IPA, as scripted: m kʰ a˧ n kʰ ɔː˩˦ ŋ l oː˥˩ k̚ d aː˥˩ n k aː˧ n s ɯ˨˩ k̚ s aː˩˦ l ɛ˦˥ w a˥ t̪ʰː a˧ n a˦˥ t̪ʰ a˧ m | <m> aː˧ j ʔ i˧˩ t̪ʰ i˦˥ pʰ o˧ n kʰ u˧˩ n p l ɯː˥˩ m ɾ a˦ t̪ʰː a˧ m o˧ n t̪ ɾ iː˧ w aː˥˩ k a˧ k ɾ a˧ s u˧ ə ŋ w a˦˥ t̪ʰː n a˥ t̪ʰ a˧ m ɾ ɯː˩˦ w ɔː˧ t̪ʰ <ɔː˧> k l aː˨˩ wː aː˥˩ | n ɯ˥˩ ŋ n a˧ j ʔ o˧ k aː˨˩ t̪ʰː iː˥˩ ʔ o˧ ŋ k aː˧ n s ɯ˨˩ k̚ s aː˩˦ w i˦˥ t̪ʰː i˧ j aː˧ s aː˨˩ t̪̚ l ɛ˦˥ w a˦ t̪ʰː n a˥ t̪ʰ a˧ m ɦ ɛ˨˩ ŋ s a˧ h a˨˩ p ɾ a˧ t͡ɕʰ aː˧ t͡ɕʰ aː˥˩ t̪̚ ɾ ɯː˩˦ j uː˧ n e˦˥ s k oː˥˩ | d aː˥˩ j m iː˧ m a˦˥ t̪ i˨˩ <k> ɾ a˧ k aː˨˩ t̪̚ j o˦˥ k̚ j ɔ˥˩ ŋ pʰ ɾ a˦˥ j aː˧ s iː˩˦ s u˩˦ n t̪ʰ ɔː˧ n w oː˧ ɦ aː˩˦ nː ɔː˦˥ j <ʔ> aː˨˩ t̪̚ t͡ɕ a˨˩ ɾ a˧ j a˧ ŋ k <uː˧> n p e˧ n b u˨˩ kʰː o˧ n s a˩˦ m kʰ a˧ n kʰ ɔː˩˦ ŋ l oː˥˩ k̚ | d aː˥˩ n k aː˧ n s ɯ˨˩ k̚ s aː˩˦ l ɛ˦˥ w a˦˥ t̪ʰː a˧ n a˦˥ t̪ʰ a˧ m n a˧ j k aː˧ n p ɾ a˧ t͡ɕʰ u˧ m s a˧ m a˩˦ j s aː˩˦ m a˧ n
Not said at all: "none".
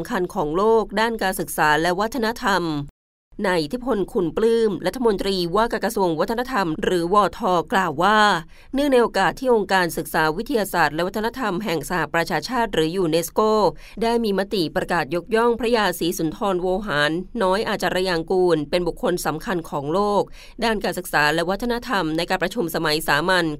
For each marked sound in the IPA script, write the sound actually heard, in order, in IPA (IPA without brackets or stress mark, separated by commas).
n, ɔː˧, p, ʔ, uː˧